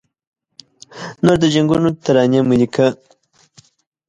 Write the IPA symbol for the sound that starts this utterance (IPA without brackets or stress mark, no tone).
n